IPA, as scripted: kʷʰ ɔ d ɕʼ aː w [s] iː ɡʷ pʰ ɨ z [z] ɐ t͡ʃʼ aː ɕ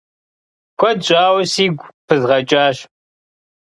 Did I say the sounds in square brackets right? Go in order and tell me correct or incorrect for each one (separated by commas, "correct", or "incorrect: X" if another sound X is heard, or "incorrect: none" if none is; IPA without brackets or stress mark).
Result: correct, incorrect: ʁ